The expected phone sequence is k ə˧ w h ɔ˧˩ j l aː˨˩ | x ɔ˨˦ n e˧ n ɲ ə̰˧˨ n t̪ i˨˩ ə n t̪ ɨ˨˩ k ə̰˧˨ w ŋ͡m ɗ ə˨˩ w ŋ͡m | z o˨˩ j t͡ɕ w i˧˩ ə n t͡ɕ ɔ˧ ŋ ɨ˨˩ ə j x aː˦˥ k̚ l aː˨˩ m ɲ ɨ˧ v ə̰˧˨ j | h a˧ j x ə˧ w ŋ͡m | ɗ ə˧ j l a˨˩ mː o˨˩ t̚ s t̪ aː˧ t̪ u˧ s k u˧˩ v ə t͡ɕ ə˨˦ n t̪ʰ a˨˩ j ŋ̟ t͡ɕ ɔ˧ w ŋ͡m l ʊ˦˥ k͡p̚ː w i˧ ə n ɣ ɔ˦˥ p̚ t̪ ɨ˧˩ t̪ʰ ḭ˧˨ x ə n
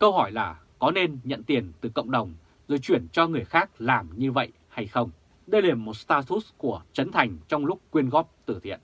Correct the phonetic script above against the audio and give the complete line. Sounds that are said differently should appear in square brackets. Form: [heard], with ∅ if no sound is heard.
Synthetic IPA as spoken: k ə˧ w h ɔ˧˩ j l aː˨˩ | [k] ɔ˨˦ n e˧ n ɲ ə̰˧˨ n t̪ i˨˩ ə n t̪ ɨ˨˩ k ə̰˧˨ w ŋ͡m ɗ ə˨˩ w ŋ͡m | z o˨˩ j t͡ɕ w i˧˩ ə n t͡ɕ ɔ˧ ŋ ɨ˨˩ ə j x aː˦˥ k̚ l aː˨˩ m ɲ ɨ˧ v ə̰˧˨ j | h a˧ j x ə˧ w ŋ͡m | ɗ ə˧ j l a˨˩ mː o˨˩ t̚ s t̪ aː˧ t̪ [u˦˥] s k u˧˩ [∅] ə t͡ɕ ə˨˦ n t̪ʰ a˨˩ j ŋ̟ t͡ɕ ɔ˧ w ŋ͡m l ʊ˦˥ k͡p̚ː w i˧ ə n ɣ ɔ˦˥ p̚ t̪ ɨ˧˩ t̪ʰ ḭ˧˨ [∅] ə n